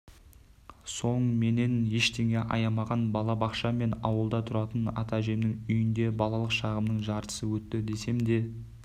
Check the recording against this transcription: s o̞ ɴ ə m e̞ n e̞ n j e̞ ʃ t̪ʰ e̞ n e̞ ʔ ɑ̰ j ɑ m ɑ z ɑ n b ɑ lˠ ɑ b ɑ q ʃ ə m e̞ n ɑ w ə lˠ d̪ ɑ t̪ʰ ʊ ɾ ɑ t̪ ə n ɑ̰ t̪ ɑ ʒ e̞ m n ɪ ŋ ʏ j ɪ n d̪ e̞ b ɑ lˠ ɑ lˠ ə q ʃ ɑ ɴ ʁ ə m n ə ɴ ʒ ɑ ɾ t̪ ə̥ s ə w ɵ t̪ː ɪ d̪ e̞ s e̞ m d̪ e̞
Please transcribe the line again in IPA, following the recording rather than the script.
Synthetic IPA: s o̞ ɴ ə m e̞ n e̞ n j e̞ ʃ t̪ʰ e̞ ŋ e̞ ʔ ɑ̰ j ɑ m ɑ ʁ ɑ n b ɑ lˠ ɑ b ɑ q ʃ ɑ m e̞ n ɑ w ə lˠ d̪ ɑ t̪ʰ ʊ ɾ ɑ t̪ ə n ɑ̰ t̪ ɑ ʒ e̞ m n ɪ ŋ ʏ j ɪ n d̪ e̞ b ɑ lˠ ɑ lˠ ə q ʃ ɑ ʁ ə m n ə ɴ ʒ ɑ ɾ t̪ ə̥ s ə w ɵ t̪ː ɪ d̪ e̞ s e̞ m d̪ e̞